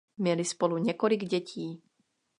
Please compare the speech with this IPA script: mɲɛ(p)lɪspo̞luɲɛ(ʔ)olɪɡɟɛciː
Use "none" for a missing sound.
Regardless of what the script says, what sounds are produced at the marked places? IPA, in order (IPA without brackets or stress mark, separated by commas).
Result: none, k